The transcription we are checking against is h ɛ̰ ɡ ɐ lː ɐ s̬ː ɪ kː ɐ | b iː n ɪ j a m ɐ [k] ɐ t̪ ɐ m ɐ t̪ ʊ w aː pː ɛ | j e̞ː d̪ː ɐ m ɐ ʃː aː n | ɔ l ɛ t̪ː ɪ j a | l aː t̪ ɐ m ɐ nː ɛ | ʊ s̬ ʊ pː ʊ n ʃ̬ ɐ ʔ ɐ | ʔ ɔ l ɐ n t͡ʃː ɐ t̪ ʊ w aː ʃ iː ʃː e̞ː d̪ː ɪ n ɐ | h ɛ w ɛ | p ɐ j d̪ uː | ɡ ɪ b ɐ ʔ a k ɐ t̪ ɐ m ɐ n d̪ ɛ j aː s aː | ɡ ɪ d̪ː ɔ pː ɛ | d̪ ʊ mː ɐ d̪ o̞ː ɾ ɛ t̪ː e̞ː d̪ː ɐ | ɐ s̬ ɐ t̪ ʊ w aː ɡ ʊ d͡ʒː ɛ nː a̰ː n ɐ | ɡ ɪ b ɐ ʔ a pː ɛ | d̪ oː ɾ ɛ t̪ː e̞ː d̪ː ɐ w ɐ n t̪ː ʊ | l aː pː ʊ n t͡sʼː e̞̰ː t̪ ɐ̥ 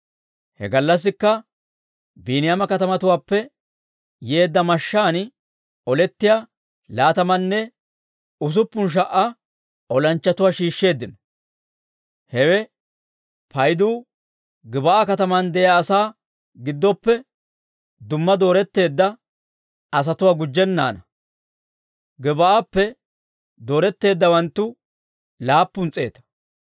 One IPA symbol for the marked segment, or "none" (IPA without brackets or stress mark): k